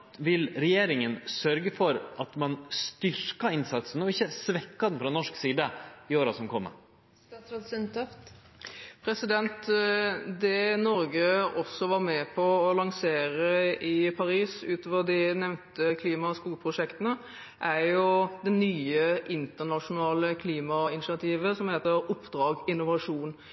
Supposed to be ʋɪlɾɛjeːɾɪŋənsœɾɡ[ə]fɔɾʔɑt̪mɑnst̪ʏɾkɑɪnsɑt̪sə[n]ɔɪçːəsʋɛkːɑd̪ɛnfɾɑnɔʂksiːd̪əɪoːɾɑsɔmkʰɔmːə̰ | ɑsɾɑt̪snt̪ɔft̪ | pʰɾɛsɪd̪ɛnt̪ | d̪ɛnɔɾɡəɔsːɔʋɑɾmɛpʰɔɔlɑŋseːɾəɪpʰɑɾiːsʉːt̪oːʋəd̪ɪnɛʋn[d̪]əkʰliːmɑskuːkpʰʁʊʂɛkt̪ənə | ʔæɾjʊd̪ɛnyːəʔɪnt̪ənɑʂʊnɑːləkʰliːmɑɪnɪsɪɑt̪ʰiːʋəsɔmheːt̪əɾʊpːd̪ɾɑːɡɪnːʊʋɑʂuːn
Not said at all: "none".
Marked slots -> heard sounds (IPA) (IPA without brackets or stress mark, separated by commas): ə, n, t̪